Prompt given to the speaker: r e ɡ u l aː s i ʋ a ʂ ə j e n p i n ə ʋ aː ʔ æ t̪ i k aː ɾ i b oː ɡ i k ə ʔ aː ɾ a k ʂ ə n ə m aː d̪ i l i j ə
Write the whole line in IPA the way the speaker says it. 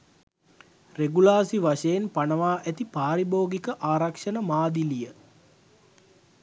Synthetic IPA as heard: r e ɡ u l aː s i ʋ a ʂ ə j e n p a n ə ʋ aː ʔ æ t̪ i p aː ɾ i b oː ɡ i k ə ʔ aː ɾ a k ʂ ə n ə m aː d̪ i l i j ə

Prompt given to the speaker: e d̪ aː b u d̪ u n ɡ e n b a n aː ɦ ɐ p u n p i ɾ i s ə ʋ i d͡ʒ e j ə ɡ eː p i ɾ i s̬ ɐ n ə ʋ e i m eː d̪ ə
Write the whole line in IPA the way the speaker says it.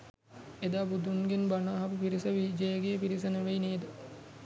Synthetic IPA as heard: e d̪ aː b u d̪ u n ɡ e n b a n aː ɦ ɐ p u p i ɾ i s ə ʋ i d͡ʒ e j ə ɡ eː p i ɾ i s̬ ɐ n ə ʋ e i n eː d̪ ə

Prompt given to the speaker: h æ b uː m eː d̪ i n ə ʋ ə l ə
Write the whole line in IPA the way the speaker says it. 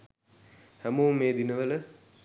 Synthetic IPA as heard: h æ m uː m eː d̪ i n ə ʋ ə l ə

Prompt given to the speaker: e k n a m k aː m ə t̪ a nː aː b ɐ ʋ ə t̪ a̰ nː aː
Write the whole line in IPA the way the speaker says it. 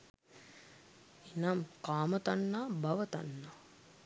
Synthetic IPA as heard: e n a m k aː m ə t̪ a nː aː b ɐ ʋ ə t̪ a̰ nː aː

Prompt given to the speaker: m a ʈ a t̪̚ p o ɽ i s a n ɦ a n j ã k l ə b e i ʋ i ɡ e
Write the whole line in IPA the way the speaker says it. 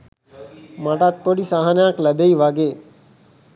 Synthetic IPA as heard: m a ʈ a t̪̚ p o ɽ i s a ɦ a n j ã k l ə b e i ʋ a ɡ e

